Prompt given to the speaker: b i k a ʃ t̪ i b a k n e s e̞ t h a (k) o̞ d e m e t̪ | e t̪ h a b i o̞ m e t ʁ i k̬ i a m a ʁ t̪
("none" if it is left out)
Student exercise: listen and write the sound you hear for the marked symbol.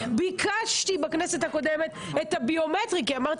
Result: k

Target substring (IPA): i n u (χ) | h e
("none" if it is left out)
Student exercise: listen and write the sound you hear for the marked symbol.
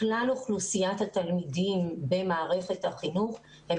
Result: χ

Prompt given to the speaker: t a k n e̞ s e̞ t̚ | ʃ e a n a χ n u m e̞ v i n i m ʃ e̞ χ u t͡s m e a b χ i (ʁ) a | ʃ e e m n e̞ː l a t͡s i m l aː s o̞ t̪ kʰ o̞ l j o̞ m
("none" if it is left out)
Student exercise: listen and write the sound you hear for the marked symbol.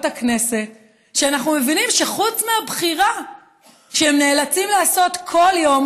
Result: ʁ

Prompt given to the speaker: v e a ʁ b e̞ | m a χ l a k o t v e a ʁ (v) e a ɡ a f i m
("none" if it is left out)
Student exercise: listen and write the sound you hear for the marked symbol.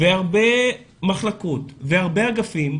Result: b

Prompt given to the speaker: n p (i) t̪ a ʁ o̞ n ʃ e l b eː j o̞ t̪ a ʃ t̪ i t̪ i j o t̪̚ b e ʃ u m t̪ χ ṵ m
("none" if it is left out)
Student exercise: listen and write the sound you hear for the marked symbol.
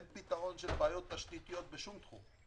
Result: i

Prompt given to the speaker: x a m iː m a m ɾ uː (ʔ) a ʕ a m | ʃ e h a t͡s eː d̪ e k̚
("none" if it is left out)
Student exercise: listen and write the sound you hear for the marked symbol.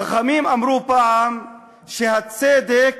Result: p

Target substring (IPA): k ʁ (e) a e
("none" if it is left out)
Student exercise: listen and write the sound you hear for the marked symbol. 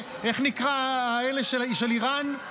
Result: a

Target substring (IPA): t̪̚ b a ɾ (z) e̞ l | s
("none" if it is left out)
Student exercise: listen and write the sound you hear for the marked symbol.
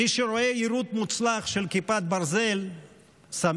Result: z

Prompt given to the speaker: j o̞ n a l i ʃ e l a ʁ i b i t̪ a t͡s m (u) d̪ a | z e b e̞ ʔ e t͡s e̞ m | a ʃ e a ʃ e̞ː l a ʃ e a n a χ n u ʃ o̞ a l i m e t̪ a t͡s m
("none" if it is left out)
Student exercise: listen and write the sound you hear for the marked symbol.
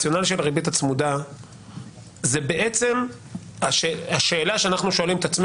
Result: u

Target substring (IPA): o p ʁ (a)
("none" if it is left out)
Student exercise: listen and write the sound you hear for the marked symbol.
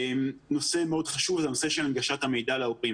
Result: i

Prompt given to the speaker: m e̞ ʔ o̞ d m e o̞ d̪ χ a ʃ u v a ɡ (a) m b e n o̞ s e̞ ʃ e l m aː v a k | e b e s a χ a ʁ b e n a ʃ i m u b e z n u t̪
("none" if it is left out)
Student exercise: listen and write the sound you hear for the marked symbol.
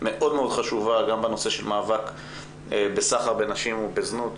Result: a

